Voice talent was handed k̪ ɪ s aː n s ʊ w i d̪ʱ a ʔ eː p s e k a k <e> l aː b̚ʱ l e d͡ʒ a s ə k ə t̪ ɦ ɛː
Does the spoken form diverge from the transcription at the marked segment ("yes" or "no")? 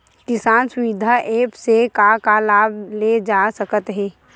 yes